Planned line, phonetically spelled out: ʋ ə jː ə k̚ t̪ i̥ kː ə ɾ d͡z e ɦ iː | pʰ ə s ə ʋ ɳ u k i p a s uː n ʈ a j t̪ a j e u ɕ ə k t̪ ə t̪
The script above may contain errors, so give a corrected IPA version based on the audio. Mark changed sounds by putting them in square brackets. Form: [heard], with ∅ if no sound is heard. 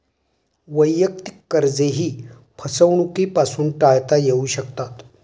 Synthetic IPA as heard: ʋ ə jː ə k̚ t̪ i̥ kː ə ɾ d͡z e ɦ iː | pʰ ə s ə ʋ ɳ u k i p a s uː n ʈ a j t̪ a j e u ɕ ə k t̪ [a] t̪